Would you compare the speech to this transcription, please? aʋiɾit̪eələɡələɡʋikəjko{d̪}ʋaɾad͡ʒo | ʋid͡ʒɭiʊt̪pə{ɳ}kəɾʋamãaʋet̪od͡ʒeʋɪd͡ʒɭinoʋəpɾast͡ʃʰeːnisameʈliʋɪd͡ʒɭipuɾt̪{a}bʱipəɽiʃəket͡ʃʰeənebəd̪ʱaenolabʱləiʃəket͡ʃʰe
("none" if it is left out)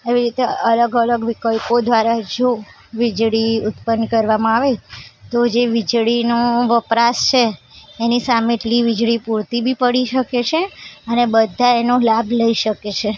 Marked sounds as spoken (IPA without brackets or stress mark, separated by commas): d̪, n, i